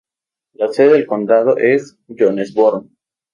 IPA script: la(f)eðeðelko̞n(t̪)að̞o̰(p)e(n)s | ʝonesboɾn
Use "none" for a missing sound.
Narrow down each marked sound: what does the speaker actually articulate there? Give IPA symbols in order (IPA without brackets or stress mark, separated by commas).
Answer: s, d̪, ʔ, none